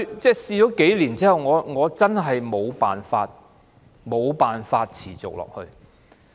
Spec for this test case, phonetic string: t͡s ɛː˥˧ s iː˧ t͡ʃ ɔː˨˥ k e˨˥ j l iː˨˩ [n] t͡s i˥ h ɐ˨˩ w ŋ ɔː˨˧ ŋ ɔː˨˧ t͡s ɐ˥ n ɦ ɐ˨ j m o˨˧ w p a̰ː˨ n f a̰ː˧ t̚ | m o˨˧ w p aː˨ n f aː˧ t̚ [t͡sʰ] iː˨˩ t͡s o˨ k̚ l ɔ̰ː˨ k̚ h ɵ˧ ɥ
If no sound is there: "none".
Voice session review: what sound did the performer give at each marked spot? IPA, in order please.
n, t͡sʰ

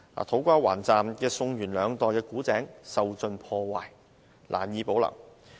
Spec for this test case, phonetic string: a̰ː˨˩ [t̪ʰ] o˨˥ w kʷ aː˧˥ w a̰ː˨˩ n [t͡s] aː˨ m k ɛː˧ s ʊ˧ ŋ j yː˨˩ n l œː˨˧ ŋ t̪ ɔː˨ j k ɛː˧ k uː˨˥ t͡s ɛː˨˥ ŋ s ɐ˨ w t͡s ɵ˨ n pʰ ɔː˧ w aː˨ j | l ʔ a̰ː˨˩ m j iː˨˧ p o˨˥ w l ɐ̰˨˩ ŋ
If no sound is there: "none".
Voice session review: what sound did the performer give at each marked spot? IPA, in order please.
t̪ʰ, t͡s

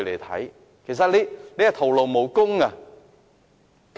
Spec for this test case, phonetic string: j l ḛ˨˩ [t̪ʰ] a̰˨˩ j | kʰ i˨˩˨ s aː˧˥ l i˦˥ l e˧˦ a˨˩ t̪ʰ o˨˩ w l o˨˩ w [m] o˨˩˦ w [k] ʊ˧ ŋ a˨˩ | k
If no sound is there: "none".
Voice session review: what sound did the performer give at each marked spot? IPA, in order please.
t̪ʰ, m, k

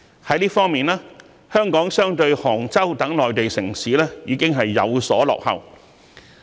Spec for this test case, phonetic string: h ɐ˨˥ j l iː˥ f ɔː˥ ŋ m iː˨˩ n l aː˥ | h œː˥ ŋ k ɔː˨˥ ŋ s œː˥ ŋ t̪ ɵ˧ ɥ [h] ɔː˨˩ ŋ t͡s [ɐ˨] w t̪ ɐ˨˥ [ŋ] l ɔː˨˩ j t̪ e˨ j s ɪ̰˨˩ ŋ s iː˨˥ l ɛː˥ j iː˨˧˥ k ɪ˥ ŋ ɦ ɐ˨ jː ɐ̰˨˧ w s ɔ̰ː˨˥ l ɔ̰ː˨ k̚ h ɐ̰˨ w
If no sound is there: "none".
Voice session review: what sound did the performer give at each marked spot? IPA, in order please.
h, ɐ˥, ŋ

